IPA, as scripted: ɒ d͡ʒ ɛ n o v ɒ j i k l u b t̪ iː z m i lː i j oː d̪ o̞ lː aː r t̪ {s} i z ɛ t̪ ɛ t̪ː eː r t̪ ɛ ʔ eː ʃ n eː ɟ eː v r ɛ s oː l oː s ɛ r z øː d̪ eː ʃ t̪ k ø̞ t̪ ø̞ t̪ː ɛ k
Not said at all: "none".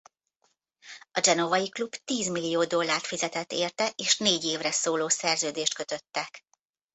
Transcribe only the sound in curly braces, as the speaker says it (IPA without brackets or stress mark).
f